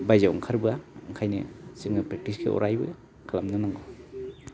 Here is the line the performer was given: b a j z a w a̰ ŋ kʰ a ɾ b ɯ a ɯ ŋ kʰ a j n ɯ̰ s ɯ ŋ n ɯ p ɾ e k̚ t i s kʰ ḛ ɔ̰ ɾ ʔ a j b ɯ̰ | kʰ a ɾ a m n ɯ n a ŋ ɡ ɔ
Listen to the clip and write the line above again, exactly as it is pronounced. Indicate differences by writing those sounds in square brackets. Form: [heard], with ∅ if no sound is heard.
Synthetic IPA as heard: b a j z a w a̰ ŋ kʰ a ɾ b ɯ a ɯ ŋ kʰ a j n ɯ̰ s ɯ ŋ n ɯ p ɾ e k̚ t i s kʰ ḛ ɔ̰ ɾ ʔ a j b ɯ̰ | kʰ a [l] a m n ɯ n a ŋ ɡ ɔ